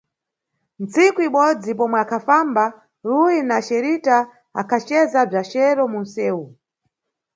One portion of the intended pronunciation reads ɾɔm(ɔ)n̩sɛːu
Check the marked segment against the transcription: incorrect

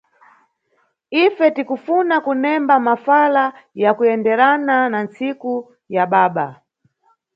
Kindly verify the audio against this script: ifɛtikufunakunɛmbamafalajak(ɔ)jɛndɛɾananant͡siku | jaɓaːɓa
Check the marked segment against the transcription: incorrect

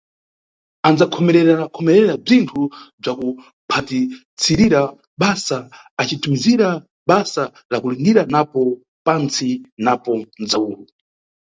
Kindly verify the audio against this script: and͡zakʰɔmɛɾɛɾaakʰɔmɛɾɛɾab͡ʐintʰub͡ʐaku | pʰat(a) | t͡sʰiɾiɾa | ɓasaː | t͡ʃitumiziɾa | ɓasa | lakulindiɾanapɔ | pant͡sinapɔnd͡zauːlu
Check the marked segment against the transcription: incorrect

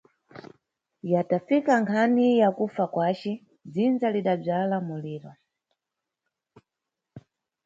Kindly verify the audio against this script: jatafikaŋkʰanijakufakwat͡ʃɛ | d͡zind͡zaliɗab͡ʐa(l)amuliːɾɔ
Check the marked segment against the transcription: correct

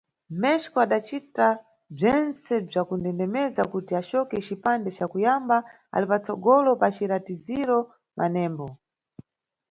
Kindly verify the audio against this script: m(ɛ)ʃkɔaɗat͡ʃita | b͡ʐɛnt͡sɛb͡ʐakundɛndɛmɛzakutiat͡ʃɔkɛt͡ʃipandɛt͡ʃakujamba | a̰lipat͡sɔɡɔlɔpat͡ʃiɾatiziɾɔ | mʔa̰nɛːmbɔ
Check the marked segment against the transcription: correct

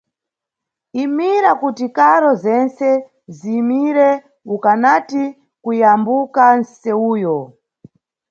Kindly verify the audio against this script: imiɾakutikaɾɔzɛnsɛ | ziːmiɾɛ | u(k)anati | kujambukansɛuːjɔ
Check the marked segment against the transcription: correct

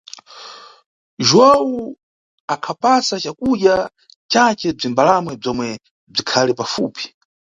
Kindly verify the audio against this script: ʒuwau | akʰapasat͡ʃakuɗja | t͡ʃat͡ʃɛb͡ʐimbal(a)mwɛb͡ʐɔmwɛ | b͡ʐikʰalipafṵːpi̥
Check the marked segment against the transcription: correct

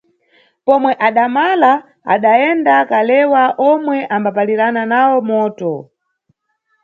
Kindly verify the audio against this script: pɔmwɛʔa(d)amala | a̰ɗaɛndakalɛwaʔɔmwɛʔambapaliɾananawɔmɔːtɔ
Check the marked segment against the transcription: incorrect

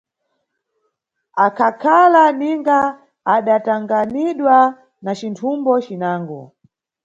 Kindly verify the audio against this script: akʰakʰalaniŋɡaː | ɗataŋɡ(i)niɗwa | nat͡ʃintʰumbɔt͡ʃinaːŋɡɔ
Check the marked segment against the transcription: incorrect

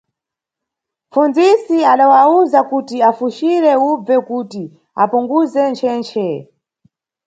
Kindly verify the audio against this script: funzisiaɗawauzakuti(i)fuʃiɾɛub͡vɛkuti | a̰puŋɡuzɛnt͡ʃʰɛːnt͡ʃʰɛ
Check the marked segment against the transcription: incorrect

